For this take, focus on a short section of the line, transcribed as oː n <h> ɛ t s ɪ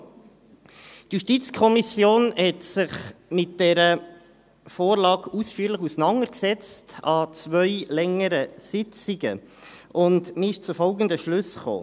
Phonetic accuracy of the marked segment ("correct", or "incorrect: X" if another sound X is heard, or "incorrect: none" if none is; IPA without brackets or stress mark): correct